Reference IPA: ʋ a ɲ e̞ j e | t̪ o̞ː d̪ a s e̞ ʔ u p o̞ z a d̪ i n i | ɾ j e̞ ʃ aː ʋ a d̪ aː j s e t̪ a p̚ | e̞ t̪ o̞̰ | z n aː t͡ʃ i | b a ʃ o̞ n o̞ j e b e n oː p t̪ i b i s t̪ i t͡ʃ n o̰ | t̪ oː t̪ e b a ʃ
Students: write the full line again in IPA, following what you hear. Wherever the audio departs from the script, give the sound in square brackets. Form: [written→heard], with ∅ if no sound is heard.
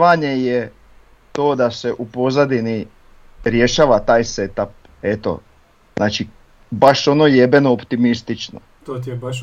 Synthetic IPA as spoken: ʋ a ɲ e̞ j e | t̪ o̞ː d̪ a s e̞ ʔ u p o̞ z a d̪ i n i | ɾ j e̞ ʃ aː ʋ a [d̪→t̪] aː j s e t̪ a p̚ | e̞ t̪ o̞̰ | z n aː t͡ʃ i | b a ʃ o̞ n o̞ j e b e n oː p t̪ i [b→m] i s t̪ i t͡ʃ n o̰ | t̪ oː t̪ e b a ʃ